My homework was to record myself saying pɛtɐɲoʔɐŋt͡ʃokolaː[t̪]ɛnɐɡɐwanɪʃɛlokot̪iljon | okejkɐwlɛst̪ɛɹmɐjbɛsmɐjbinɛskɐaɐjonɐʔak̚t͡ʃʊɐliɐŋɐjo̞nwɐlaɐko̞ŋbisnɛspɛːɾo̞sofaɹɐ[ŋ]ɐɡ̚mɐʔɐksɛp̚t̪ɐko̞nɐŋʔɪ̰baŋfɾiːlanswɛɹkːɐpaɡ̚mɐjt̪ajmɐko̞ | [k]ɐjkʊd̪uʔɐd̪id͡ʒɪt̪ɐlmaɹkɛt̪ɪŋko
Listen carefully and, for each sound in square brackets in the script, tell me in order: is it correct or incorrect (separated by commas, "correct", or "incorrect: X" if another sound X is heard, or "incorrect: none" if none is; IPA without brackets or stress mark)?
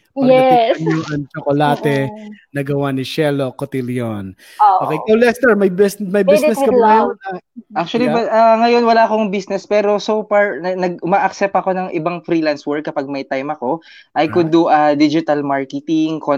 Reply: correct, incorrect: n, incorrect: ʔ